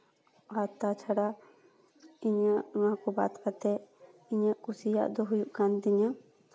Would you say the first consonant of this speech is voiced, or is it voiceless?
voiceless